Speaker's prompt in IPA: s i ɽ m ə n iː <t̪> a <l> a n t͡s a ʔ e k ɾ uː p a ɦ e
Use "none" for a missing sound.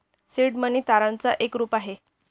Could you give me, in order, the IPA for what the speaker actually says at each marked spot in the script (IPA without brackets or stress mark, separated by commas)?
t̪, ɾ